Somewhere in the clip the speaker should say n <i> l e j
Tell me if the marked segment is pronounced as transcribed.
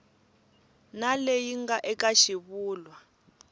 no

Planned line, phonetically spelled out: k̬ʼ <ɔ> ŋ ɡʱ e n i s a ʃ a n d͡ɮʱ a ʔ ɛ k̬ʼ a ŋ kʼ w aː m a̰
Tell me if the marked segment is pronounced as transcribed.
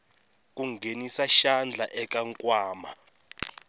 no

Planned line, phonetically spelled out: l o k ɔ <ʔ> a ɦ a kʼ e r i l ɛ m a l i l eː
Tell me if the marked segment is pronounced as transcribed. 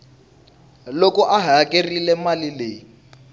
yes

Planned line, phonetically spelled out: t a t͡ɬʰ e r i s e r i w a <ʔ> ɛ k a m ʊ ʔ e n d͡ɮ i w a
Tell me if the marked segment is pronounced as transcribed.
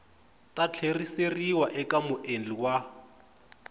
yes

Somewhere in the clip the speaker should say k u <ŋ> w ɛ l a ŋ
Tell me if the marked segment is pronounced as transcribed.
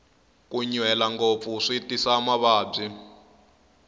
no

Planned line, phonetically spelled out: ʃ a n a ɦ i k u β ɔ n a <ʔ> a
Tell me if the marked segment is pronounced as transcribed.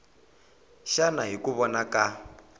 no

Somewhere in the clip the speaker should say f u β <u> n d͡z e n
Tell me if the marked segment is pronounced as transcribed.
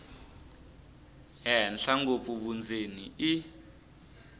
yes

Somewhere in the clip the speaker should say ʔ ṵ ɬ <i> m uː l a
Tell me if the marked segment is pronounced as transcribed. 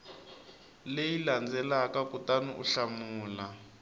no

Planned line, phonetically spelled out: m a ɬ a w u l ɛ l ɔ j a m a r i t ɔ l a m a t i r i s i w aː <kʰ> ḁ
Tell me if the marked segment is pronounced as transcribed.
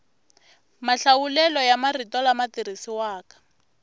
no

